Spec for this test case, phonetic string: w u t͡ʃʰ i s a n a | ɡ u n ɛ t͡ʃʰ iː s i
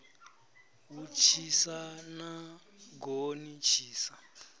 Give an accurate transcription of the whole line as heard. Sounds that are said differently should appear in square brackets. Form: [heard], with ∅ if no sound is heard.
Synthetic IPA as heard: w u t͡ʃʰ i s a n a | ɡ [o] n [i] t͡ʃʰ iː s [a]